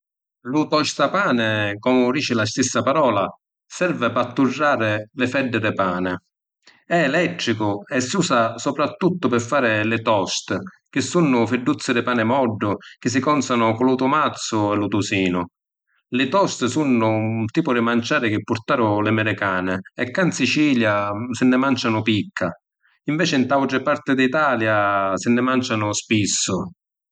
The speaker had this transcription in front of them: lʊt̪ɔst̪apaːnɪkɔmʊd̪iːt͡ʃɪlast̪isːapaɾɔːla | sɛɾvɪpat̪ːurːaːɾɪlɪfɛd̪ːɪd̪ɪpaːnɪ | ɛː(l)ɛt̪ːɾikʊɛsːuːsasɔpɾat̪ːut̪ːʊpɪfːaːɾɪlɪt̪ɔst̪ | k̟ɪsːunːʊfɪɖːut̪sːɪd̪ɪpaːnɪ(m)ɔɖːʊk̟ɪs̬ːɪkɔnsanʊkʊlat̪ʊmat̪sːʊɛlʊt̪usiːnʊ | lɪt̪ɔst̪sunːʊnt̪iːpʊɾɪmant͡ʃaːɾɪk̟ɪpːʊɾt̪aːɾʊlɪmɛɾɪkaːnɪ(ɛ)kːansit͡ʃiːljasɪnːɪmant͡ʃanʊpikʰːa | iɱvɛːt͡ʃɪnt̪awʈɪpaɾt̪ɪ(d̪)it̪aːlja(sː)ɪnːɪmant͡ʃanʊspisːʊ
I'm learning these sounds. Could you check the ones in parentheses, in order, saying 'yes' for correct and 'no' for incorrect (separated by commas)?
yes, yes, yes, yes, no